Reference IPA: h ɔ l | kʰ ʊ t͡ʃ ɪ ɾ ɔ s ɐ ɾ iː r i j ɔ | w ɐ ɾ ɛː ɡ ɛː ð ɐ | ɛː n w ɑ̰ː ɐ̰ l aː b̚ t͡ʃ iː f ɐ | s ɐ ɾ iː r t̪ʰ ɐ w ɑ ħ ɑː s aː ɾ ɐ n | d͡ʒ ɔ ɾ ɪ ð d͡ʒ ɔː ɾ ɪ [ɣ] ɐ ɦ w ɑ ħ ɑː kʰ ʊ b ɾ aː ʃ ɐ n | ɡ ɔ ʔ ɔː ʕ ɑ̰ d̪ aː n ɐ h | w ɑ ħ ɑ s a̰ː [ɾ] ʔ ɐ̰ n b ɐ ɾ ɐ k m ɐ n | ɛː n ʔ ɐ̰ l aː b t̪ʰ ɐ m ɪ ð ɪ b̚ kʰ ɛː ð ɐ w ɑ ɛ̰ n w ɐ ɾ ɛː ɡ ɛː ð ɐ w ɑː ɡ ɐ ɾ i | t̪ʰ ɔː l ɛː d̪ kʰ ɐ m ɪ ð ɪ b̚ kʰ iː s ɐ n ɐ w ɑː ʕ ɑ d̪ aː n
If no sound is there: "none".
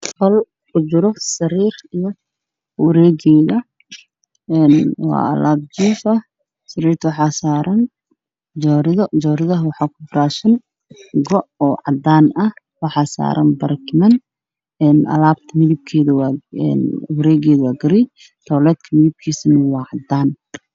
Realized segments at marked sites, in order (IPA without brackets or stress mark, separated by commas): ð, ɾ